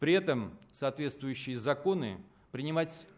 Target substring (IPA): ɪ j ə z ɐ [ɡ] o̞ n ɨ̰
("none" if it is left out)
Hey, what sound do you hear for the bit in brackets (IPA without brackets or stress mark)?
k